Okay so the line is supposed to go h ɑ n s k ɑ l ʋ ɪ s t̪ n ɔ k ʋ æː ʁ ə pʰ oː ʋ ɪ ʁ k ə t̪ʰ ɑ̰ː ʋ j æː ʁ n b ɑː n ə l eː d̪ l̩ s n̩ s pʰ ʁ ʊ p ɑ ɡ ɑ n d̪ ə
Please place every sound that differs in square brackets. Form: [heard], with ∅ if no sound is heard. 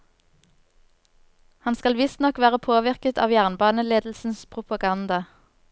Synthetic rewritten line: h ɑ n s k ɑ l ʋ ɪ s t̪ n ɔ k ʋ æː ʁ ə pʰ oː ʋ ɪ ʁ k ə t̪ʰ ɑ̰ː ʋ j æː ʁ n b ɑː n ə l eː d̪ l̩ s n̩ s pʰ ʁ ʊ p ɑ ɡ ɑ n d̪ [ɑ]